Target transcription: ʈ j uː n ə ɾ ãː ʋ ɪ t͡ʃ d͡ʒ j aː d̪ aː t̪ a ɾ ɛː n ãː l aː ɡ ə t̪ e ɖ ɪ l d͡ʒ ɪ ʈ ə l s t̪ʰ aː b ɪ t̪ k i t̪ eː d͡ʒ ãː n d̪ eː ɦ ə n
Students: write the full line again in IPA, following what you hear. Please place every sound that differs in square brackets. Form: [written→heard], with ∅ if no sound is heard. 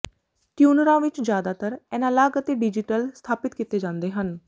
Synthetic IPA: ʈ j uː n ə ɾ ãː ʋ ɪ t͡ʃ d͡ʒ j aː d̪ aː t̪ [a→ə] ɾ ɛː n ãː l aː ɡ ə t̪ e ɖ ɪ [l→∅] d͡ʒ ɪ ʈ ə l s t̪ʰ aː [b→p] ɪ t̪ k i t̪ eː d͡ʒ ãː n d̪ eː ɦ ə n